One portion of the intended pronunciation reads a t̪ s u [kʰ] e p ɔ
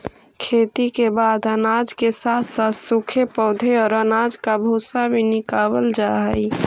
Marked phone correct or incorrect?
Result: correct